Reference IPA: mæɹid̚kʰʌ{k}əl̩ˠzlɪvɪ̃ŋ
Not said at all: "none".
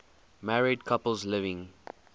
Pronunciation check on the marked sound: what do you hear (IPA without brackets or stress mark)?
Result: p